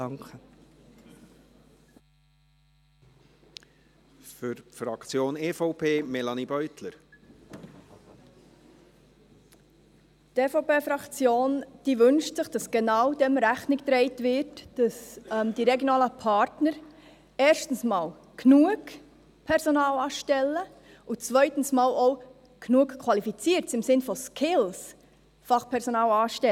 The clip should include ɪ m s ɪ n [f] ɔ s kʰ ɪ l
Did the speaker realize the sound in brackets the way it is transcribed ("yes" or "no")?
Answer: yes